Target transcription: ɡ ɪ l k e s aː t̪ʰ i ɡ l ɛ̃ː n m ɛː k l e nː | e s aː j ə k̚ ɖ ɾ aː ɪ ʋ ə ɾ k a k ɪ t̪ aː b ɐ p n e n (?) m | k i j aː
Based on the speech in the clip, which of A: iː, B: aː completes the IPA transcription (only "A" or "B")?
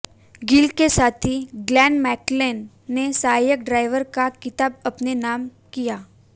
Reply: B